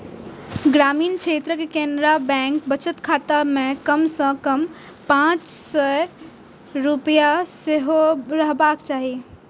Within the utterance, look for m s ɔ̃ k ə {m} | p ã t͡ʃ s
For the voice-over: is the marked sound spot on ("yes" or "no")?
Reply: yes